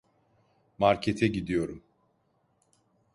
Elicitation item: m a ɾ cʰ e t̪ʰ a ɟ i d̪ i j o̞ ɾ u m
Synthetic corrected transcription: m a ɾ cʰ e t̪ʰ ɛ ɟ i d̪ i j o̞ ɾ u m